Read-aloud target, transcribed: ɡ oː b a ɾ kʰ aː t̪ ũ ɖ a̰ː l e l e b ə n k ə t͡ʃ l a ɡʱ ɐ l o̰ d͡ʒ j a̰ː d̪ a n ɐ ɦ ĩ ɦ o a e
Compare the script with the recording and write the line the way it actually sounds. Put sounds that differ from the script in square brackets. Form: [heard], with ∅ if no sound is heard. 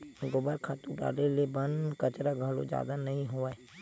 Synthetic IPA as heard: ɡ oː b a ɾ kʰ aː t̪ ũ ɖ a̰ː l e l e b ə n k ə t͡ʃ [ɾ] a ɡʱ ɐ l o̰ d͡ʒ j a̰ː d̪ a n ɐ ɦ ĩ ɦ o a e

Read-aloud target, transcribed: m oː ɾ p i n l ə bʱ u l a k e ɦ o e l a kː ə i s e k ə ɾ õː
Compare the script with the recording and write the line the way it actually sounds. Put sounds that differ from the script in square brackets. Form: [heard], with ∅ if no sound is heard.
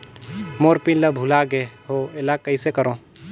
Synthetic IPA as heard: m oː ɾ p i n l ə bʱ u l a [ɡ] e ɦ o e l a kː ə i s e k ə ɾ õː

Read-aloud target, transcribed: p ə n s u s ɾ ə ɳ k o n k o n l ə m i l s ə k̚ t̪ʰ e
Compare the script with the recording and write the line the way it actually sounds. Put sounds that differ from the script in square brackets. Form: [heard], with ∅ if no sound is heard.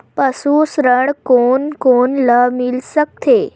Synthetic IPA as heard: p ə [∅] s u s ɾ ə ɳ k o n k o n l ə m i l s ə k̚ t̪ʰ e

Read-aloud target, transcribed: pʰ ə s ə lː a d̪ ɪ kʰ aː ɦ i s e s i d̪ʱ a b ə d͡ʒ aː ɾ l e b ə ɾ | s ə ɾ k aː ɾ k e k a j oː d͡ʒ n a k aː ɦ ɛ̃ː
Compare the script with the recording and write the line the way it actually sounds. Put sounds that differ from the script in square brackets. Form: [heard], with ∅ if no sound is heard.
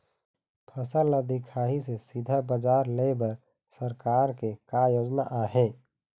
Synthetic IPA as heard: pʰ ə s ə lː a d̪ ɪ kʰ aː ɦ i s e s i d̪ʱ a b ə d͡ʒ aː ɾ l e b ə ɾ | s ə ɾ k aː ɾ k e k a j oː d͡ʒ n a [ʔ] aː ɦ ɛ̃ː

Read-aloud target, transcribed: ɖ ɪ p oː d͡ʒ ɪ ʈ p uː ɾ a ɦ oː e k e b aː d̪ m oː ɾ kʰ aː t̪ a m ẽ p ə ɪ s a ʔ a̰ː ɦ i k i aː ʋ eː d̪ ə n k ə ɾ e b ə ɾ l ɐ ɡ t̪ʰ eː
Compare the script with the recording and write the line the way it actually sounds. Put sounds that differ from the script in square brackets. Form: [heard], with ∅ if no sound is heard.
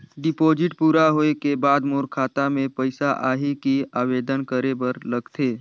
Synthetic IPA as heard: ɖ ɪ p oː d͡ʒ ɪ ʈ p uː ɾ a ɦ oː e k e b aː d̪ m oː ɾ kʰ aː t̪ a m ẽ p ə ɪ s a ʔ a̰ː ɦ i k i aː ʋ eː d̪ ə n k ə ɾ e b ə ɾ l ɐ ɡ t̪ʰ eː

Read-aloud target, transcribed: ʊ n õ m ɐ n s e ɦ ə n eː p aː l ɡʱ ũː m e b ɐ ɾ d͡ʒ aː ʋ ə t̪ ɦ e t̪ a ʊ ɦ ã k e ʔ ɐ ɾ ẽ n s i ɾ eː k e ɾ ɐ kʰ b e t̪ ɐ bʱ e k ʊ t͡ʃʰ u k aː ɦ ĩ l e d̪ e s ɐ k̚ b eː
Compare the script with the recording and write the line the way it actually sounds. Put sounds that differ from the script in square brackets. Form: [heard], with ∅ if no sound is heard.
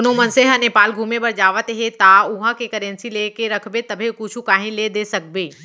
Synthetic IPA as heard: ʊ n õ m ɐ n s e ɦ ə n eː p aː l ɡʱ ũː m e b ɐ ɾ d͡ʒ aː ʋ ə t̪ ɦ e t̪ a ʊ ɦ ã k e [k] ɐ ɾ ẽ n s i [l] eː k e ɾ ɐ kʰ b e t̪ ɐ bʱ e k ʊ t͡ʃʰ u k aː ɦ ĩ l e d̪ e s ɐ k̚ b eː

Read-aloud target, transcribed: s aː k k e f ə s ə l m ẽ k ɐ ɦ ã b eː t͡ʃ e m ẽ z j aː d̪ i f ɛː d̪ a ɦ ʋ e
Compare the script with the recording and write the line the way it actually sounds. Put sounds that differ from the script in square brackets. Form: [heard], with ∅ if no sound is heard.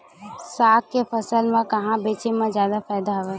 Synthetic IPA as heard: s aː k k e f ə s ə l m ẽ k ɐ ɦ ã b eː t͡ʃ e m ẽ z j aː d̪ [a] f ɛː d̪ a ɦ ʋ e

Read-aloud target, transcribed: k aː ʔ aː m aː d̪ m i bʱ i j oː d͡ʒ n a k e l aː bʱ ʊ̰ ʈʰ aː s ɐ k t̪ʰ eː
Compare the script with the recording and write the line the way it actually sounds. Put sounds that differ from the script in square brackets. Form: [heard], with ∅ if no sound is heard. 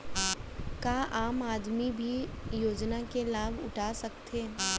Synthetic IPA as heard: k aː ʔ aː m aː d̪ m i bʱ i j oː d͡ʒ n a k e l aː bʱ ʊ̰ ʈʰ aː s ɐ k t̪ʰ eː

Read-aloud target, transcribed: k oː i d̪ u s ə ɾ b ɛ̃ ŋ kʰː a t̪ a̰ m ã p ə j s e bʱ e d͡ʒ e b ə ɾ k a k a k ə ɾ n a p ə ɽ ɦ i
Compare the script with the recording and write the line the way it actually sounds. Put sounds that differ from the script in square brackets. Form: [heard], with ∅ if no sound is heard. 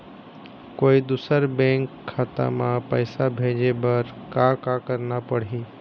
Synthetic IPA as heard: k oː i d̪ u s ə ɾ b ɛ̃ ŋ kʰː a t̪ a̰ m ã p ə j s [a] bʱ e d͡ʒ e b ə ɾ k a k a k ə ɾ n a p ə ɽ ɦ i

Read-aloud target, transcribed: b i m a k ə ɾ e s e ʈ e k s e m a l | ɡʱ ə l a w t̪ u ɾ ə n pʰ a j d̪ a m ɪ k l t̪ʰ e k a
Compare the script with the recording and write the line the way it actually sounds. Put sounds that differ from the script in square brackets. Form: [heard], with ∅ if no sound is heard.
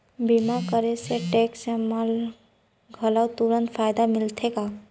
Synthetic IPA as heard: b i m a k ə ɾ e s e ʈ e k s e m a l | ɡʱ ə l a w t̪ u ɾ ə n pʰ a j d̪ a m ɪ [∅] l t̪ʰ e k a

